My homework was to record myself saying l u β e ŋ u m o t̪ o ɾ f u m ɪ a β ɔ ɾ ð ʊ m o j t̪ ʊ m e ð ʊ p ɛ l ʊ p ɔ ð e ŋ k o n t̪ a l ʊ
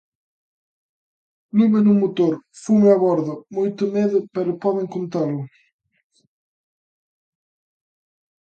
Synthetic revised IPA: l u β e n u m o t̪ o ɾ f u m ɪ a β ɔ ɾ ð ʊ m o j t̪ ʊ m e ð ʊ p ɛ ɾ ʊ p ɔ ð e ŋ k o n t̪ a l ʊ